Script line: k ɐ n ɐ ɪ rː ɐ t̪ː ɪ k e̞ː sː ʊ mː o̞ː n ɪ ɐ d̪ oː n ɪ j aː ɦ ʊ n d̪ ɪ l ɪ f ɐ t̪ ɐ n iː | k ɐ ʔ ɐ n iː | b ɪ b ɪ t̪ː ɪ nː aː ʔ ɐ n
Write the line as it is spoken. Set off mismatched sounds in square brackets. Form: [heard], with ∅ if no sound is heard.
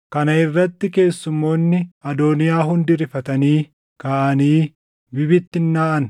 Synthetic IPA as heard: k ɐ n ɐ ɪ rː ɐ t̪ː ɪ k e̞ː sː ʊ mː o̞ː [nː] ɪ ɐ d̪ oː n ɪ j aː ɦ ʊ n d̪ ɪ [ɾ] ɪ f ɐ t̪ ɐ n iː | k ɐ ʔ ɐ n iː | b ɪ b ɪ t̪ː ɪ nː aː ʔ ɐ n